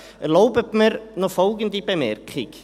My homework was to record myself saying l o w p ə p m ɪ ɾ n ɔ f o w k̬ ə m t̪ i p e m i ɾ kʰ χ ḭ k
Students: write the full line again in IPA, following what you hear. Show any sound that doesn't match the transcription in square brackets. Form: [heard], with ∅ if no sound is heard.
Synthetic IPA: l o w p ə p m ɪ ɾ n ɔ f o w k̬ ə [n] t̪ i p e m [ɛ] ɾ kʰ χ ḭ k